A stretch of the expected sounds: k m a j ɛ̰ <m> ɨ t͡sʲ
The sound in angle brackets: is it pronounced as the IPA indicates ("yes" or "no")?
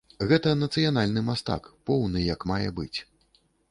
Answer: no